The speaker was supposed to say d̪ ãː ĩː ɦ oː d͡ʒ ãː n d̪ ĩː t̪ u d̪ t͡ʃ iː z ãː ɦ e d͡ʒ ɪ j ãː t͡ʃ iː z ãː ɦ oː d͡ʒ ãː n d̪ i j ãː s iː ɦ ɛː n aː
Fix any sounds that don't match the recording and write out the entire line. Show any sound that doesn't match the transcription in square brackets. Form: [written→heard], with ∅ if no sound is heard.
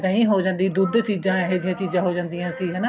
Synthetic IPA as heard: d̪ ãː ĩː ɦ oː d͡ʒ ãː n d̪ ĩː [t̪→d̪] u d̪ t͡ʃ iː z ãː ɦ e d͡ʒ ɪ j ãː t͡ʃ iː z ãː ɦ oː d͡ʒ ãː n d̪ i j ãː s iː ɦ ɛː n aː